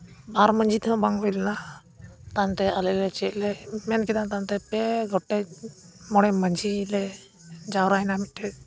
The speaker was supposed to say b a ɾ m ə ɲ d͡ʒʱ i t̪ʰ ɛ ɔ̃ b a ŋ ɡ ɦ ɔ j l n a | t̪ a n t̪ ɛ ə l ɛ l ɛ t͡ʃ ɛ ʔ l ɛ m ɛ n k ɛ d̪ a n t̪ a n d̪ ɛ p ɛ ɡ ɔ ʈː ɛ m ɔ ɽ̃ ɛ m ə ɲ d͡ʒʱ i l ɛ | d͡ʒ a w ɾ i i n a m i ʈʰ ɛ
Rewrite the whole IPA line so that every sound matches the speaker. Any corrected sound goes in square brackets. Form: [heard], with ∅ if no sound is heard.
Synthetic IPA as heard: b a ɾ m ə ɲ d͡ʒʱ i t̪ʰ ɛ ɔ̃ b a ŋ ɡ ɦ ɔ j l n a | t̪ a n t̪ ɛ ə l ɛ l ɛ t͡ʃ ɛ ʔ l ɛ m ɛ n k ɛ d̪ a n t̪ a n [t̪] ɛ p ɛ ɡ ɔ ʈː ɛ m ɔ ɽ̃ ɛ m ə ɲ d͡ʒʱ i l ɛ | d͡ʒ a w ɾ [a] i n a m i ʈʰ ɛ